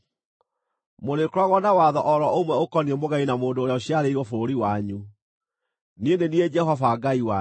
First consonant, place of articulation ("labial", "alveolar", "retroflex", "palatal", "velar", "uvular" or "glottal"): labial